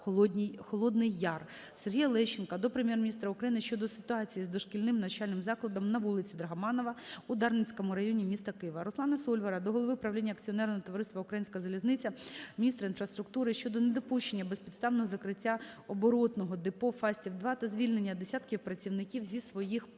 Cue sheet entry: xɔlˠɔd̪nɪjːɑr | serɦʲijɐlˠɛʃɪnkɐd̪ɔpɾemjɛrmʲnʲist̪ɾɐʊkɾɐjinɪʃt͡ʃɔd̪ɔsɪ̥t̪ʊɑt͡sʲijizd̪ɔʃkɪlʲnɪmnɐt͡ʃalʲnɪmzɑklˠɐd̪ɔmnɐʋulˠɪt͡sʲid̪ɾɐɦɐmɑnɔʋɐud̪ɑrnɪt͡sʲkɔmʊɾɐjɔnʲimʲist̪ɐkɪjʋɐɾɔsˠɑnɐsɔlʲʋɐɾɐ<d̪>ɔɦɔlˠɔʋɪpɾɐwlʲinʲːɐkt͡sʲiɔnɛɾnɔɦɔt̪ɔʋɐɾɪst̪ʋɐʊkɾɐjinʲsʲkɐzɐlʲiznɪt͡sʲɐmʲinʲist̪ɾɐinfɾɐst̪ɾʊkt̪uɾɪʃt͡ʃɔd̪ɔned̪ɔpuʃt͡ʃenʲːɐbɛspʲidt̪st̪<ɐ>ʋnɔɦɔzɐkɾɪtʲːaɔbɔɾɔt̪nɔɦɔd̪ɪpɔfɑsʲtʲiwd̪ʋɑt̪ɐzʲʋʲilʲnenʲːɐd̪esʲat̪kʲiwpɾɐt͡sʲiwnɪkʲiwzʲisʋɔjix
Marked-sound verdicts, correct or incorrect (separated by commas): correct, incorrect